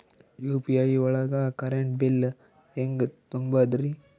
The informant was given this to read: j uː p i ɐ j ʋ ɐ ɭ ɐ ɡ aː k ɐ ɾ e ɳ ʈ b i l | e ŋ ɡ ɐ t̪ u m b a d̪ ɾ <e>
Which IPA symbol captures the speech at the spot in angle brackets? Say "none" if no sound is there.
i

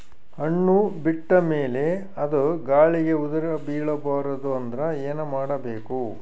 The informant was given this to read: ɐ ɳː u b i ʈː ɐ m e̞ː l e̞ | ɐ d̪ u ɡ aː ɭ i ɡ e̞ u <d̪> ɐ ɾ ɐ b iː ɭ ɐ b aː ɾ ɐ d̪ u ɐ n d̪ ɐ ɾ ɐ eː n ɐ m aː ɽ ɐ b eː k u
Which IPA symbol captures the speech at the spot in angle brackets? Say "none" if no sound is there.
d̪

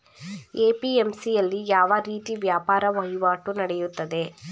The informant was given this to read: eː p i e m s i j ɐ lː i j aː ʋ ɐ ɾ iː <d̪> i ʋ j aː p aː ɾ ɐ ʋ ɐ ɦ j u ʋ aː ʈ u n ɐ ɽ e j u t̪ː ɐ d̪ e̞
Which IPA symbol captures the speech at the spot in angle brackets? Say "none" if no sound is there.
t̪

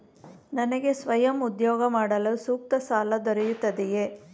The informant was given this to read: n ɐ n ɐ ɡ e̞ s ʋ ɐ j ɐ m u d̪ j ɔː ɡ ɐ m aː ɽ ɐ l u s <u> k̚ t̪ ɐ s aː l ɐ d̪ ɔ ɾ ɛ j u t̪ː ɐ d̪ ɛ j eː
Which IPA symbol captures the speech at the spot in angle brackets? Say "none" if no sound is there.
uː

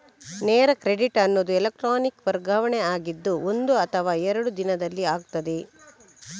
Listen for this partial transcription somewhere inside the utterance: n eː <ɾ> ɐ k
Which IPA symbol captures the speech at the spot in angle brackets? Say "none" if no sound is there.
ɾ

